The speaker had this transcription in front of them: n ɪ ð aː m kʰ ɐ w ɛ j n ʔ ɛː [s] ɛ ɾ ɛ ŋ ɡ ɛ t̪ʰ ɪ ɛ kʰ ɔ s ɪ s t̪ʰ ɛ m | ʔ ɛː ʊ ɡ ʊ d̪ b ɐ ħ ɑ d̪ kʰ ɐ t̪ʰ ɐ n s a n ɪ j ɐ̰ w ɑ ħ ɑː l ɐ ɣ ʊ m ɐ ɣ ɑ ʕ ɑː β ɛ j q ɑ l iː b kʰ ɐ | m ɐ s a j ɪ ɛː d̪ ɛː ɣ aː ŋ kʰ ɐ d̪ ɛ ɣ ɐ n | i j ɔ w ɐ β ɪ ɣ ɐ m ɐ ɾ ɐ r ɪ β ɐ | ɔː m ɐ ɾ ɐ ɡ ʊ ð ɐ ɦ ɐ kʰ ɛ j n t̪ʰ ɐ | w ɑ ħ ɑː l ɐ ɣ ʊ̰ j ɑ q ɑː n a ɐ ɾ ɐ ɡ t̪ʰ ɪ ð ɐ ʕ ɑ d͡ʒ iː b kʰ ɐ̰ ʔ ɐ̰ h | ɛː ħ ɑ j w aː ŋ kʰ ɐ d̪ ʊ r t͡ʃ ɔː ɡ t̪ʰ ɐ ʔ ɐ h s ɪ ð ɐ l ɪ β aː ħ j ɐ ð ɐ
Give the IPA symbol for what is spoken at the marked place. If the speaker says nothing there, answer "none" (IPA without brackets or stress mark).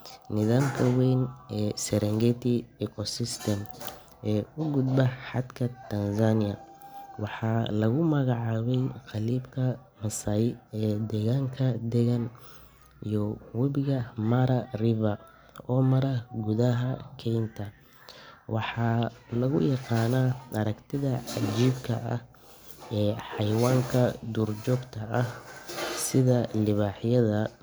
s